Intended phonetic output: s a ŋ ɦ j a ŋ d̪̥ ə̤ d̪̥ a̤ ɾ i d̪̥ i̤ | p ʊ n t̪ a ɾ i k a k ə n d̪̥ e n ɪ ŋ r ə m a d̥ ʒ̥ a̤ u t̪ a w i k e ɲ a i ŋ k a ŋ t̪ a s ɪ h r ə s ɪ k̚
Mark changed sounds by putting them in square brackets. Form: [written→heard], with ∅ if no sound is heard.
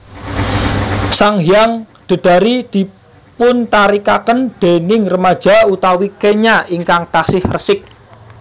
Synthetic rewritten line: s a ŋ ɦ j a ŋ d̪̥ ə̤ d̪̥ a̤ ɾ i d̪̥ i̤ | p ʊ n t̪ a ɾ i k a k ə n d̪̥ e n ɪ ŋ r ə m a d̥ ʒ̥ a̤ u t̪ a w i k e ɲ a i ŋ k a ŋ t̪ a s ɪ h r ə s ɪ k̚